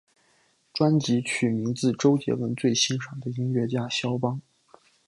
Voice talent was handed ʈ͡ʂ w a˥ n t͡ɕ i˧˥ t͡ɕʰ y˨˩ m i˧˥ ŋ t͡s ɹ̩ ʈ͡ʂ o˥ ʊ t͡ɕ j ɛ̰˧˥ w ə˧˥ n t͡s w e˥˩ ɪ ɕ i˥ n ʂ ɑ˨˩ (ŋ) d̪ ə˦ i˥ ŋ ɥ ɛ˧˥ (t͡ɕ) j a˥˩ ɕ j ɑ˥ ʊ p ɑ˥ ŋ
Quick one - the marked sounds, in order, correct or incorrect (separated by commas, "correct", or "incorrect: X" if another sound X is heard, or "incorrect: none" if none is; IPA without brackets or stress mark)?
correct, correct